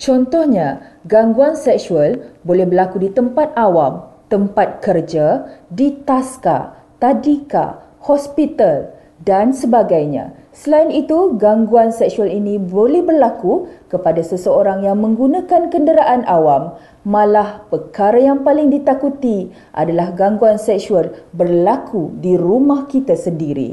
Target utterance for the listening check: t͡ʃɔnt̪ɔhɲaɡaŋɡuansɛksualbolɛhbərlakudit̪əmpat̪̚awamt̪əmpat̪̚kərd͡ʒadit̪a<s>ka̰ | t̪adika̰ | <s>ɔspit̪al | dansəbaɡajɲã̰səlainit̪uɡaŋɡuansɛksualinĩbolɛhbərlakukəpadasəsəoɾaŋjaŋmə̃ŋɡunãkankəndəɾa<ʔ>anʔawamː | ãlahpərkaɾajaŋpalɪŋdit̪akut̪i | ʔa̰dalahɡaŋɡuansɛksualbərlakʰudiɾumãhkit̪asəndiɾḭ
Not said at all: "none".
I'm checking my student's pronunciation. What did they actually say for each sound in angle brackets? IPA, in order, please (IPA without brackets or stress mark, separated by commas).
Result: s, h, ʔ